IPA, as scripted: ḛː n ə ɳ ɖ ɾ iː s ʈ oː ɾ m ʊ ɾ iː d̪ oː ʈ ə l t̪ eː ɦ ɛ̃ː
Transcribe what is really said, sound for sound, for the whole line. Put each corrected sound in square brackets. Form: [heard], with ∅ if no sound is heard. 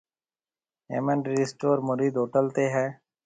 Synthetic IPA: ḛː [m] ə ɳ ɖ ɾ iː s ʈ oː ɾ m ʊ ɾ iː d̪ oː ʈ ə l t̪ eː ɦ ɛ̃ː

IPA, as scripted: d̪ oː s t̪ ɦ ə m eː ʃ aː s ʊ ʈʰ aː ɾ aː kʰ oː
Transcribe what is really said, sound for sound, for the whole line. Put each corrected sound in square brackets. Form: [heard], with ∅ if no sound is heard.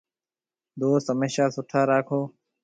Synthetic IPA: d̪ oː s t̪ ɦ ə m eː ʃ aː s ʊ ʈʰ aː ɾ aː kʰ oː

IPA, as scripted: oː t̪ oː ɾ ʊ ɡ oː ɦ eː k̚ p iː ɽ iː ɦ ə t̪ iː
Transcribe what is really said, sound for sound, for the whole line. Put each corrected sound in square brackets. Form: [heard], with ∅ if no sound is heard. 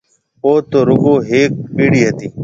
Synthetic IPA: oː t̪ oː ɾ ʊ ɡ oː ɦ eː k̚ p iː ɽ iː ɦ ə t̪ iː

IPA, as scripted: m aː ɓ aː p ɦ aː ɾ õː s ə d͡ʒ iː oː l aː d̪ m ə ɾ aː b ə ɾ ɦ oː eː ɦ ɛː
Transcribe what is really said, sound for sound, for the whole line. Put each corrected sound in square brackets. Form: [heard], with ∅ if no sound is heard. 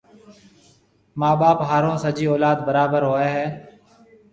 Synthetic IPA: m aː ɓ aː p ɦ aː ɾ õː s ə d͡ʒ iː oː l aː d̪ [b] ə ɾ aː b ə ɾ ɦ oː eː ɦ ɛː

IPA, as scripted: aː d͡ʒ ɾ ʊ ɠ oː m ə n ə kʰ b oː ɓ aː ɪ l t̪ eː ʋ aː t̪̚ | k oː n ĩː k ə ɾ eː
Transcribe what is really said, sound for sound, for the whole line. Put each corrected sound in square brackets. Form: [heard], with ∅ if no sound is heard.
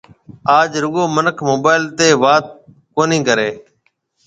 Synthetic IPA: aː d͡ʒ ɾ ʊ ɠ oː m ə n ə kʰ [m] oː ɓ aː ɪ l t̪ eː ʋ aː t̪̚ | k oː n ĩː k ə ɾ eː

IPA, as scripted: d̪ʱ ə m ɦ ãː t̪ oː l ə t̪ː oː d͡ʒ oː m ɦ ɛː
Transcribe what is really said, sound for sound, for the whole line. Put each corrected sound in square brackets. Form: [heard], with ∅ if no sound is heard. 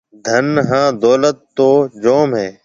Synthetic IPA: d̪ʱ ə [n] ɦ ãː [d̪] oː l ə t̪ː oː d͡ʒ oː m ɦ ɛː

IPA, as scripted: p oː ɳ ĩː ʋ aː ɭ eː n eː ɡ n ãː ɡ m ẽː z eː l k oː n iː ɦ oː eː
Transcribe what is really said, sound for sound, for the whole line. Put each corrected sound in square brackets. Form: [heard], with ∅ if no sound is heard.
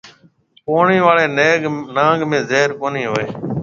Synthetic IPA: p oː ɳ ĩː ʋ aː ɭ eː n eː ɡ n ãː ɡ m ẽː z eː [ɾ] k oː n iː ɦ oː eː

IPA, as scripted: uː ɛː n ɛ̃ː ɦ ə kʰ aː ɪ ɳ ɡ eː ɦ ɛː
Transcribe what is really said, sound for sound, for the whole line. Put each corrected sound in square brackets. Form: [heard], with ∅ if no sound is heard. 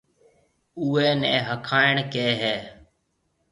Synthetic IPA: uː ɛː n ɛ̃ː ɦ ə kʰ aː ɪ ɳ [k] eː ɦ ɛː

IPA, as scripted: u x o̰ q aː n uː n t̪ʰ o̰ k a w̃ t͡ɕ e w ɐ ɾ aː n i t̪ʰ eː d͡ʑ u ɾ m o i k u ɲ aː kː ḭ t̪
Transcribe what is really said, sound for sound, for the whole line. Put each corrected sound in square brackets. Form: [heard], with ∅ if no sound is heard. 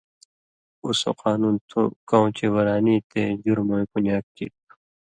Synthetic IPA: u [s] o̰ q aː n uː n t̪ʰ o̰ k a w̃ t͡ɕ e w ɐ ɾ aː n i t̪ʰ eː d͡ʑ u ɾ m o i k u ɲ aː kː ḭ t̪

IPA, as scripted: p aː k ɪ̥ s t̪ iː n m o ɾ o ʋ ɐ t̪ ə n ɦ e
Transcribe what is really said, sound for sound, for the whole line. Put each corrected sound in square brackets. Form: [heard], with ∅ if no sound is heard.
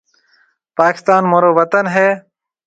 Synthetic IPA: p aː k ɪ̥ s t̪ [aː] n m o ɾ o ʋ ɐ t̪ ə n ɦ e

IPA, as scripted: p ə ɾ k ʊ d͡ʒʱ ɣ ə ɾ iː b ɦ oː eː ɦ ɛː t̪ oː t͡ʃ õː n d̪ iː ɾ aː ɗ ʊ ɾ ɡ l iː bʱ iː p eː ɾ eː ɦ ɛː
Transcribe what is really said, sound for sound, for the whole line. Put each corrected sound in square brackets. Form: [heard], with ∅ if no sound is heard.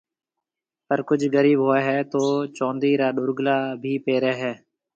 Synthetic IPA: p ə ɾ k ʊ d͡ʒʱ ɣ ə ɾ iː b ɦ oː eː ɦ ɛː t̪ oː t͡ʃ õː n d̪ iː ɾ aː ɗ ʊ ɾ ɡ l [aː] bʱ iː p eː ɾ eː ɦ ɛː

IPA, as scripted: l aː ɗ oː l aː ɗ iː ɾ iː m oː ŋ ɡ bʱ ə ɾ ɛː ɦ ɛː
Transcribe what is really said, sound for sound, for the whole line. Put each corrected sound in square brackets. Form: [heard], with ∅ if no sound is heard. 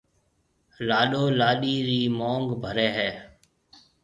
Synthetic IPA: l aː ɗ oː l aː ɗ iː ɾ iː m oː ŋ ɡ bʱ ə ɾ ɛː ɦ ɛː

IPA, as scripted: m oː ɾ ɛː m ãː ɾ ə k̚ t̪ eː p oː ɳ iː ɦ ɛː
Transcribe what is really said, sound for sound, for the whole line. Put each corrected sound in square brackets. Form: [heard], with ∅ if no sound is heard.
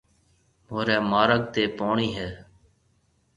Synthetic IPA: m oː ɾ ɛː m [aː] ɾ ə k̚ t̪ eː p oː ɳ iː ɦ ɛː

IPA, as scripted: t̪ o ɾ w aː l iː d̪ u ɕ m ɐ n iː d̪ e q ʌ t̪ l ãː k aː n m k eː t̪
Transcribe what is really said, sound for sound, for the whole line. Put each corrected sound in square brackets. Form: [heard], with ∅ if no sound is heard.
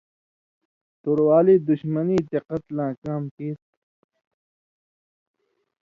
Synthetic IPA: t̪ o ɾ w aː l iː d̪ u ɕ m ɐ n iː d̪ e q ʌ t̪ l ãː k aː [∅] m k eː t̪

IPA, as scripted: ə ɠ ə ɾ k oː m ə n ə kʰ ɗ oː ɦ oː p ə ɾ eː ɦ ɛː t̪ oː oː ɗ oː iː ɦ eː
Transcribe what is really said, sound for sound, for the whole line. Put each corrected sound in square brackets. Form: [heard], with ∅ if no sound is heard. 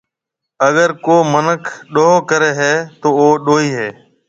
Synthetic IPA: ə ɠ ə ɾ k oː m ə n ə kʰ ɗ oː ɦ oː [k] ə ɾ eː ɦ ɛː t̪ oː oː ɗ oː iː ɦ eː

